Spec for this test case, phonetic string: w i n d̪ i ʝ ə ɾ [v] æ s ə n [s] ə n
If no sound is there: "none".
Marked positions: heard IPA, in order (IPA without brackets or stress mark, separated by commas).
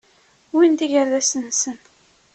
ð, s